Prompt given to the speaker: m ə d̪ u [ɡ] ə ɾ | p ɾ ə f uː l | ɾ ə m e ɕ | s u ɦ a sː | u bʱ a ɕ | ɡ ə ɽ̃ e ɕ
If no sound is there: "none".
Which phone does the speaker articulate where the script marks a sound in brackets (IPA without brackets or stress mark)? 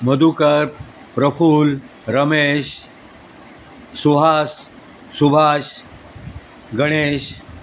k